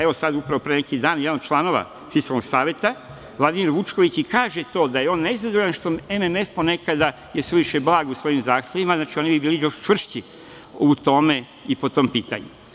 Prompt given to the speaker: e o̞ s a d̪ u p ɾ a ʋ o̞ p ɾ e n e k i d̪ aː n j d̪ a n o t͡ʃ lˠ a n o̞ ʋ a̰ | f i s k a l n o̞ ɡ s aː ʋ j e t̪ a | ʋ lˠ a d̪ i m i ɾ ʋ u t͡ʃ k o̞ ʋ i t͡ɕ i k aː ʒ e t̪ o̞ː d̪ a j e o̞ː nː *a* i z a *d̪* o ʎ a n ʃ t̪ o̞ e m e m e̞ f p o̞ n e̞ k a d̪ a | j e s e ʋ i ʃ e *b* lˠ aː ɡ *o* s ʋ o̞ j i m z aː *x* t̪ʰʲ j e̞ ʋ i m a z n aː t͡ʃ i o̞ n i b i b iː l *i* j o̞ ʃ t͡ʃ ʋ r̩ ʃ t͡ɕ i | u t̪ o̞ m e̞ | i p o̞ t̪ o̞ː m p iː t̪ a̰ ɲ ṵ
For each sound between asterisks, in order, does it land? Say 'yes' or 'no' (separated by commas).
no, yes, yes, no, yes, yes